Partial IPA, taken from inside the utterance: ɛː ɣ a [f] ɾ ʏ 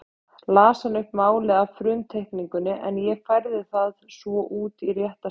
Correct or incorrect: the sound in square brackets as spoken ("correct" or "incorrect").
correct